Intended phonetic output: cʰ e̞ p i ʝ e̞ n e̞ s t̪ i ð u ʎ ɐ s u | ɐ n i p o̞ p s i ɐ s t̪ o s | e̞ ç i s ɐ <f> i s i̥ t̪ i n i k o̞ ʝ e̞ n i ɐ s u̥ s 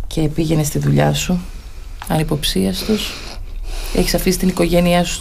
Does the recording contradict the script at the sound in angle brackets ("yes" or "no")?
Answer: no